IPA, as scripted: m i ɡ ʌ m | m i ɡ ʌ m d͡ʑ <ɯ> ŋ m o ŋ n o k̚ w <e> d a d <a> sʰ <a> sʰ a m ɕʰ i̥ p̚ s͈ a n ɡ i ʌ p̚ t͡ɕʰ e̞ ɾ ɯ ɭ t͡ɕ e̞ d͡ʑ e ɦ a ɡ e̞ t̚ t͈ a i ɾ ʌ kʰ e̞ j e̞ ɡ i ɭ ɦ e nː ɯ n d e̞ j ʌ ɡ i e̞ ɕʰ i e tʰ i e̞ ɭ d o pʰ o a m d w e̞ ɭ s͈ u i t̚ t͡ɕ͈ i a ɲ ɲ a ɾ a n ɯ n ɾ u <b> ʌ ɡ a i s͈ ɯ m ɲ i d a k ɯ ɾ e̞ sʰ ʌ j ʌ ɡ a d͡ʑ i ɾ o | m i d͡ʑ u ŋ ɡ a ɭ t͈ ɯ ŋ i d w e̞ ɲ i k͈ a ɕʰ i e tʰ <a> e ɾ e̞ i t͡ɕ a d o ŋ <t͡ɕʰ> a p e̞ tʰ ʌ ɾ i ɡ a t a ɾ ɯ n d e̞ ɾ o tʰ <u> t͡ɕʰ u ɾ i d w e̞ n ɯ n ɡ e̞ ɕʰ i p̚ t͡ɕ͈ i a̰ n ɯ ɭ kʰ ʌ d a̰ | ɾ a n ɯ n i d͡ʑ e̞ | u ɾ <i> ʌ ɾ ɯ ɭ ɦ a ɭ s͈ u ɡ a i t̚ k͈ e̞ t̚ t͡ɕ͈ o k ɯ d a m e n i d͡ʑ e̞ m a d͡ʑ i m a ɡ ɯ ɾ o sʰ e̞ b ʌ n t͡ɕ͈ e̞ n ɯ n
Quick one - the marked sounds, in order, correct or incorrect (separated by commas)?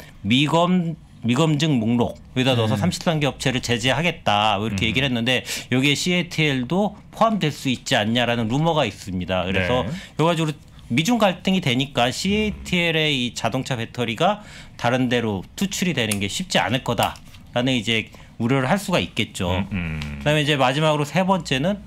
correct, correct, incorrect, incorrect, incorrect, incorrect, correct, correct, incorrect